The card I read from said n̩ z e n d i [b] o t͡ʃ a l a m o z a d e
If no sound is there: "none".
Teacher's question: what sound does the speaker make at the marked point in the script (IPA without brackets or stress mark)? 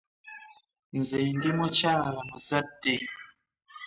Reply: m